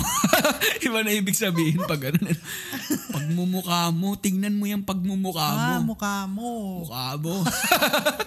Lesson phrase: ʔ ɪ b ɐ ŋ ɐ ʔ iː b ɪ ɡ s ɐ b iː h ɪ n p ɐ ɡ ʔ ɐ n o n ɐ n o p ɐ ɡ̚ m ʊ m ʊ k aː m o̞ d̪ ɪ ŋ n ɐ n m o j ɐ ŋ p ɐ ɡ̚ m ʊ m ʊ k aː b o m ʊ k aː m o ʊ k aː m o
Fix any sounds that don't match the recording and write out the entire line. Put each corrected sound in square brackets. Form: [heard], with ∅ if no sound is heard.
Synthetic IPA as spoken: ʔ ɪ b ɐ [n] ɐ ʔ iː b ɪ ɡ s ɐ b iː h ɪ n p ɐ ɡ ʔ ɐ n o n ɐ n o p ɐ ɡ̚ m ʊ m ʊ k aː m o̞ [t̪] ɪ ŋ n ɐ n m o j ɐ ŋ p ɐ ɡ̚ m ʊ m ʊ k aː [m] o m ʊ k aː m o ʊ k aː m o